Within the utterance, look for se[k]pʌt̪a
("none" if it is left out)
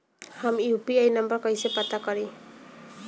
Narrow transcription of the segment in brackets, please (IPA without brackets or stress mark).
none